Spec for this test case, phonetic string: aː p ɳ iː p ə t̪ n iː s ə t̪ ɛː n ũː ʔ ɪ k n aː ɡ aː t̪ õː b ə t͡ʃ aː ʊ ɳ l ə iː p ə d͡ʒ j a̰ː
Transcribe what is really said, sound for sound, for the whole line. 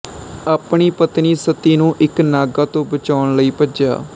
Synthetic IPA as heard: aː p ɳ iː p ə t̪ n iː s ə t̪ iː n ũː ʔ ɪ k n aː ɡ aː t̪ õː b ə t͡ʃ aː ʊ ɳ l ə iː p ə d͡ʒ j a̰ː